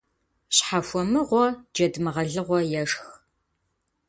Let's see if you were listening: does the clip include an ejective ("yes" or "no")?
no